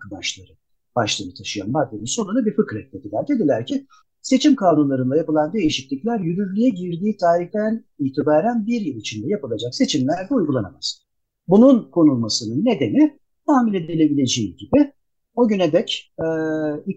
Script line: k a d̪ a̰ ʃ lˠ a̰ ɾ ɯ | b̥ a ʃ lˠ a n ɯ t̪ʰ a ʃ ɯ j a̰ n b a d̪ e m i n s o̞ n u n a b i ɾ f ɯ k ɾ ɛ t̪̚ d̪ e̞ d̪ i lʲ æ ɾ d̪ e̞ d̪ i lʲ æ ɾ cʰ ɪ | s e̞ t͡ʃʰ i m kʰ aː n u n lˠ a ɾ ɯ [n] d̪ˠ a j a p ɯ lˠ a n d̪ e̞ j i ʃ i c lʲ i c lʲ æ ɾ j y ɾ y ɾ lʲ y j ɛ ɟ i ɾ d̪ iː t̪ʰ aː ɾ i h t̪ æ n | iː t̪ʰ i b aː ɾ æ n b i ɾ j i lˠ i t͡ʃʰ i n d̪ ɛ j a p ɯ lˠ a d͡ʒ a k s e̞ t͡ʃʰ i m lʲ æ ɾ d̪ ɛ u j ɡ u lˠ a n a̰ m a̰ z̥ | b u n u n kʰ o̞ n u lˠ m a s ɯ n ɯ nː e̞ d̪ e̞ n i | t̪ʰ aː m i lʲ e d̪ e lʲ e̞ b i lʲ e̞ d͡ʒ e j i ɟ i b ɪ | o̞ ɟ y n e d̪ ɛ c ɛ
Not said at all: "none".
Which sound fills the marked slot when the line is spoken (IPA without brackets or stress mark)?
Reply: n